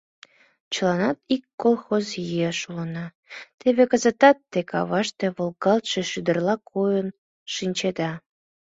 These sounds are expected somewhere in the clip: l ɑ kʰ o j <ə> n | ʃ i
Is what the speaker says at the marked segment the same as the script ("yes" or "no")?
yes